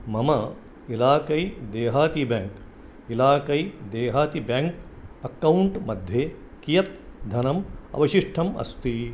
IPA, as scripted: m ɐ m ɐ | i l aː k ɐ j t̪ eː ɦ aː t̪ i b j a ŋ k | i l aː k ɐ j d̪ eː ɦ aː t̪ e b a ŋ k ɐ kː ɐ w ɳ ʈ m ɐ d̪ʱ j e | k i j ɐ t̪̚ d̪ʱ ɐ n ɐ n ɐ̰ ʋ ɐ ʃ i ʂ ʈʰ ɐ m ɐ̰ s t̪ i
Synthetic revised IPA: m ɐ m ɐ | i l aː k ɐ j d̪ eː ɦ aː t̪ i b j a ŋ k | i l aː k ɐ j d̪ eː ɦ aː t̪ i b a ŋ k ɐ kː ɐ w ɳ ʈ m ɐ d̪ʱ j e | k i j ɐ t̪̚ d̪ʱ ɐ n ɐ m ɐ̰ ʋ ɐ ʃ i ʂ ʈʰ ɐ m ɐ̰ s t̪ i